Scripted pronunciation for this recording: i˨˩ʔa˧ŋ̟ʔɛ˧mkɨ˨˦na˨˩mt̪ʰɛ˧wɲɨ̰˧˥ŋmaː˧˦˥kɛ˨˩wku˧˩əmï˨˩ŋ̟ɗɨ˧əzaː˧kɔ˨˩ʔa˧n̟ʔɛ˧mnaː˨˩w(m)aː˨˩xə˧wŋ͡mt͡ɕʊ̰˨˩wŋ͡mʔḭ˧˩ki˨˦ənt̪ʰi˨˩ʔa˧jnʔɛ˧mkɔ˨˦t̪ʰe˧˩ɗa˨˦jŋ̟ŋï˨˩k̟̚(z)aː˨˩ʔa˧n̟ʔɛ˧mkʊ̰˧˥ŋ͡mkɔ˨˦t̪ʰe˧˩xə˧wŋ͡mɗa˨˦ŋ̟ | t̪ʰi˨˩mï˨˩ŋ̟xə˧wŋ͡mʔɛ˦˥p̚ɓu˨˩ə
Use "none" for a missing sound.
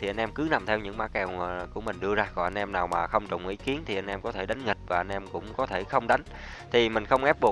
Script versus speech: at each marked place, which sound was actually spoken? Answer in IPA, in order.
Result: m, v

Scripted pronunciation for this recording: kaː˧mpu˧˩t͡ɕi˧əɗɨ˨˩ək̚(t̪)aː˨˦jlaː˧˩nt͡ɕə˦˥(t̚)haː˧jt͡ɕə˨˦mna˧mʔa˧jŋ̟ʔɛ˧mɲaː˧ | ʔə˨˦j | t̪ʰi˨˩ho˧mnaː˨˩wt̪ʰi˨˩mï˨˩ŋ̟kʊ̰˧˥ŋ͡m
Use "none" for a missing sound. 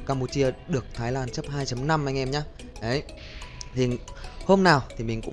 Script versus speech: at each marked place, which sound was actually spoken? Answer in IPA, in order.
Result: t̪ʰ, p̚

